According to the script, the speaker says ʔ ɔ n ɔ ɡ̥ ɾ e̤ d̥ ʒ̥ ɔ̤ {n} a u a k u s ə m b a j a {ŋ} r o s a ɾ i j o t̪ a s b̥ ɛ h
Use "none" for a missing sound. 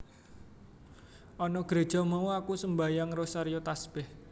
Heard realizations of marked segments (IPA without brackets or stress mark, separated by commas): m, ŋ